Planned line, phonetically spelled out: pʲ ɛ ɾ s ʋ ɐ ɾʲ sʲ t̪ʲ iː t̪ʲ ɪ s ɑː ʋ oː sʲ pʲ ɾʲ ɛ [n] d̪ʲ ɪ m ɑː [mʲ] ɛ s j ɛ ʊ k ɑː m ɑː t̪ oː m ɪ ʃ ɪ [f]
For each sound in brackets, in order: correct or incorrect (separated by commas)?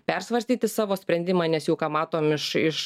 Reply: correct, incorrect, incorrect